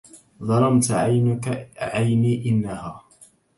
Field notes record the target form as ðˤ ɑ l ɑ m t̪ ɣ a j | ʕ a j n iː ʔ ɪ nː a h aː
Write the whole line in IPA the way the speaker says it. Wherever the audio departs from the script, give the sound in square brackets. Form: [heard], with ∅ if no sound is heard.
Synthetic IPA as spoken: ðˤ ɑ l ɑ m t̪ [ʕ] a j | ʕ a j n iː ʔ ɪ nː a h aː